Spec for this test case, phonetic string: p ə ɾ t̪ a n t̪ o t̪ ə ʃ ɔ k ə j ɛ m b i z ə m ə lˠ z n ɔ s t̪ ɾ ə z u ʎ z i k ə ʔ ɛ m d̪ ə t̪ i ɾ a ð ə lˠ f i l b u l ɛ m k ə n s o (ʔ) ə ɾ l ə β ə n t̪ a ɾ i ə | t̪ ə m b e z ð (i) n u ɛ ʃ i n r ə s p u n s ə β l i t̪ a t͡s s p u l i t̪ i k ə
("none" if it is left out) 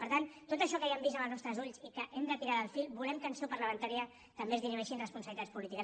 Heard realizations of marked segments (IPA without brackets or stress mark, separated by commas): p, i